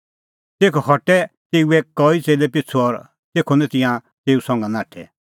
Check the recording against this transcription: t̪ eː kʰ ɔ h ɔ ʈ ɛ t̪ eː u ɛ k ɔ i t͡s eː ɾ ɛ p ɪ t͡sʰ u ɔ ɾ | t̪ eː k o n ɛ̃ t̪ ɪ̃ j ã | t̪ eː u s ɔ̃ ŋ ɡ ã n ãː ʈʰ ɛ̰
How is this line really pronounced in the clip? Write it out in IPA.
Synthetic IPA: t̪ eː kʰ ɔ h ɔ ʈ ɛ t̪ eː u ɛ k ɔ i t͡s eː l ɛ p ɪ t͡sʰ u ɔ ɾ | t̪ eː kʰ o n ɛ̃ t̪ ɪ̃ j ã | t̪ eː u s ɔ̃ ŋ ɡ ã n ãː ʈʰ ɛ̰